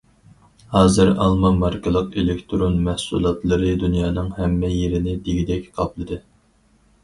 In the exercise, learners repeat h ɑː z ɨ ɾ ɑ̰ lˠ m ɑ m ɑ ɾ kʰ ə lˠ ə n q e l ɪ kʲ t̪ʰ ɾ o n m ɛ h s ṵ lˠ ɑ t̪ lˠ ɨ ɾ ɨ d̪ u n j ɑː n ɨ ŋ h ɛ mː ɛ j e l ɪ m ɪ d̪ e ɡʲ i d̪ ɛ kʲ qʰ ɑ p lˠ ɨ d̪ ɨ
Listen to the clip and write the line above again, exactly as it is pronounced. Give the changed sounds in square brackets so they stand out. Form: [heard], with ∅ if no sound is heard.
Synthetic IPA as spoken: h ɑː z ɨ ɾ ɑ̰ lˠ m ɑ m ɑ ɾ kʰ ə lˠ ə [∅] q e l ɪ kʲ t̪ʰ ɾ o n m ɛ h s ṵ lˠ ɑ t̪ lˠ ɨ ɾ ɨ d̪ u n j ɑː n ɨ ŋ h ɛ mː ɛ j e [ɾ] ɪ [n] ɪ d̪ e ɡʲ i d̪ ɛ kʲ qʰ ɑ p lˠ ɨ d̪ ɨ